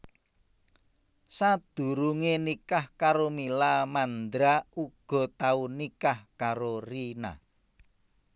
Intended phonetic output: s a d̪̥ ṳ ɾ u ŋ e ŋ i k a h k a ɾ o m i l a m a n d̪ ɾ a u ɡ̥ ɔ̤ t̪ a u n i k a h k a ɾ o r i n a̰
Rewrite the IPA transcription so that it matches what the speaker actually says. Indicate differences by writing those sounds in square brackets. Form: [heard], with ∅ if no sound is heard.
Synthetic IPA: s a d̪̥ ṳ ɾ u ŋ e [n] i k a h k a ɾ o m i l a m a n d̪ ɾ a u ɡ̥ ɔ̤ t̪ a u n i k a h k a ɾ o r i n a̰

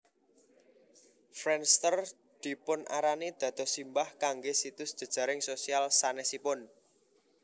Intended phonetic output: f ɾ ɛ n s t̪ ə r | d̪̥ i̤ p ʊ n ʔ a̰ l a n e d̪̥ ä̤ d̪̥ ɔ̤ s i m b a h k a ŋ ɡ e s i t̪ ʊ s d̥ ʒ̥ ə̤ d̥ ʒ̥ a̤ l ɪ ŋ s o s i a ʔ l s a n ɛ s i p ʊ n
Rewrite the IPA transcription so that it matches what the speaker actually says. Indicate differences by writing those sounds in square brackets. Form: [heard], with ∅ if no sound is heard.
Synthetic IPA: f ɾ ɛ n s t̪ ə r | d̪̥ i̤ p ʊ n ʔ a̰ [ɾ] a n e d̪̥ ä̤ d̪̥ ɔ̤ s i m b a h k a ŋ ɡ e s i t̪ ʊ s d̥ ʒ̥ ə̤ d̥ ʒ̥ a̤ [ɾ] ɪ ŋ s o s i a [∅] l s a n ɛ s i p ʊ n

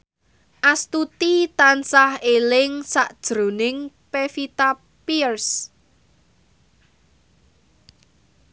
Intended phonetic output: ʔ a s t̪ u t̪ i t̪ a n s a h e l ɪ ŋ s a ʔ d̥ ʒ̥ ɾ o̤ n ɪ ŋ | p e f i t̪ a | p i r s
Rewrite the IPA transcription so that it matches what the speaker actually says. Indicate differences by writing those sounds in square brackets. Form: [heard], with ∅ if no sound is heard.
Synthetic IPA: ʔ a s t̪ u t̪ i t̪ a n s a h e l ɪ ŋ s a ʔ d̥ ʒ̥ ɾ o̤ n ɪ ŋ | p e f i t̪ a | p i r s

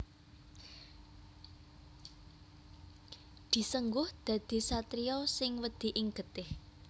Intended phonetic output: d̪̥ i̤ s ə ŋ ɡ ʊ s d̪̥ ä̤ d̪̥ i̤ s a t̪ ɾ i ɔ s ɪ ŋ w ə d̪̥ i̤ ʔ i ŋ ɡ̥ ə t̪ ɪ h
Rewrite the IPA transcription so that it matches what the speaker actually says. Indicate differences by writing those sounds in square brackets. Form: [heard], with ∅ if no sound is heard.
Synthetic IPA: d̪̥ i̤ s ə ŋ ɡ ʊ [h] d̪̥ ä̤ d̪̥ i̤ s a t̪ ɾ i ɔ s ɪ ŋ w ə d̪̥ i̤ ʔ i ŋ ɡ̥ ə t̪ ɪ h

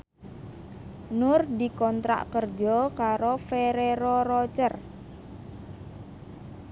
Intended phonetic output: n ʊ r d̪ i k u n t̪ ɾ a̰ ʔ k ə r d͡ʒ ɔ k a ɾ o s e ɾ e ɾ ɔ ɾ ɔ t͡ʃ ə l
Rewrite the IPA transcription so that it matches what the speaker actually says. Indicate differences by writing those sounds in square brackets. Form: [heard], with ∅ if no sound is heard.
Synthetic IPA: n ʊ r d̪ i k [ɔ] n t̪ ɾ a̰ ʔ k ə r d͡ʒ ɔ k a ɾ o [f] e ɾ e ɾ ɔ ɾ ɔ t͡ʃ ə [r]

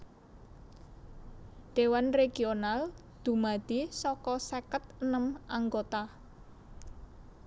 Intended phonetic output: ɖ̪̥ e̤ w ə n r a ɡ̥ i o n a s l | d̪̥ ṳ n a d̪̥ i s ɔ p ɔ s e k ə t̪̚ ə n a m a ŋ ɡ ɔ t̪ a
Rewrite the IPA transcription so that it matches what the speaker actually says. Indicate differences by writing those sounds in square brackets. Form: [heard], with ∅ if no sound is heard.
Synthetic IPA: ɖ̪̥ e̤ w [a] n r [e] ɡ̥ i o n a [∅] l | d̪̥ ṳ [m] a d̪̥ i s ɔ [k] ɔ s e k ə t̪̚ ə n [ə] m a ŋ ɡ [o] t̪ a

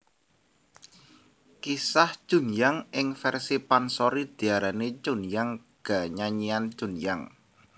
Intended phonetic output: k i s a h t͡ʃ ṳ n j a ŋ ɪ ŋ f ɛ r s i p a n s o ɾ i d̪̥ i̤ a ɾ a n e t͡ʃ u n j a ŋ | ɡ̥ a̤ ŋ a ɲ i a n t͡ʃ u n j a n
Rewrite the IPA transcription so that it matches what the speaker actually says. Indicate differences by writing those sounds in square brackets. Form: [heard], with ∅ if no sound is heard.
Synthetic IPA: k i s a h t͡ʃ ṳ n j a ŋ ɪ ŋ f ɛ r s i p a n s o ɾ i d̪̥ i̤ a ɾ a n e t͡ʃ u n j a ŋ | ɡ̥ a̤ [ɲ] a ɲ i a n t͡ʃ u n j a [ŋ]

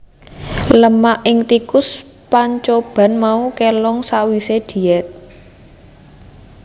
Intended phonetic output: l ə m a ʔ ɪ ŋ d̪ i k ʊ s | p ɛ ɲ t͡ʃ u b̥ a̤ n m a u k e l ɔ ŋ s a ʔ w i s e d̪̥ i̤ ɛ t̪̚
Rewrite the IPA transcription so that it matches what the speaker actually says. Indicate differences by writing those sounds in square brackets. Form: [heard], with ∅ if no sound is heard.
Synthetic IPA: l ə m a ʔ ɪ ŋ [t̪] i k ʊ s | p [a] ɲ t͡ʃ [o] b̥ a̤ n m a u k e l ɔ ŋ s a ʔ w i s e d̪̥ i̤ ɛ t̪̚

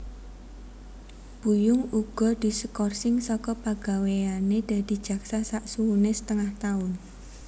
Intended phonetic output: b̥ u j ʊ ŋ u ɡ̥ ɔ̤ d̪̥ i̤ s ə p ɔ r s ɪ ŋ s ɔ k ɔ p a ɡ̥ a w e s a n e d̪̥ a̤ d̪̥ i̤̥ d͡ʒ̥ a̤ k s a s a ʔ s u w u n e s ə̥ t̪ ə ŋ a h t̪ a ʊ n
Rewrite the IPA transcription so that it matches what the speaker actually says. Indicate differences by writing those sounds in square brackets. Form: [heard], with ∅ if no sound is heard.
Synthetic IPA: b̥ u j ʊ ŋ u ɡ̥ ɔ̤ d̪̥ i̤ s ə [k] ɔ r s ɪ ŋ s ɔ k ɔ p a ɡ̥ a w e [∅] a n e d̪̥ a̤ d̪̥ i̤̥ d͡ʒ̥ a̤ k s a s a ʔ s u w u n e s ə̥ t̪ ə ŋ a h t̪ a ʊ n

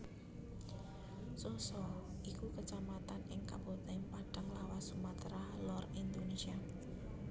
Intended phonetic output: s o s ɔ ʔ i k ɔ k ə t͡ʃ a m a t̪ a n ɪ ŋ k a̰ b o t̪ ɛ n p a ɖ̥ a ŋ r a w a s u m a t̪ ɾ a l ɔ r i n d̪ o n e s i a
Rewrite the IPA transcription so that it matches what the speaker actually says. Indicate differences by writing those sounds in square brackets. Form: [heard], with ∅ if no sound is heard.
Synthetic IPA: s o s ɔ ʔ i k [u] k ə t͡ʃ a m a t̪ a n ɪ ŋ k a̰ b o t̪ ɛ [ŋ] p a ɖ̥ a ŋ [l] a w a s u m a t̪ ɾ a l ɔ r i n d̪ o n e s i a

